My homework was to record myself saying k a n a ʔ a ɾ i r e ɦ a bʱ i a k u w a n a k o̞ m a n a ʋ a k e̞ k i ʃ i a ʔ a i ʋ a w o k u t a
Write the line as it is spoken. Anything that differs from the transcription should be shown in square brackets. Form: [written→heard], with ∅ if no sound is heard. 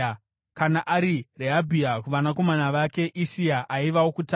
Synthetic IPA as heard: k a n a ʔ a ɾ i r e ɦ a bʱ i a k u [w→ʋ] a n a k o̞ m a n a ʋ a k e̞ [k→ʔ] i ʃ i a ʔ a i ʋ a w o k u t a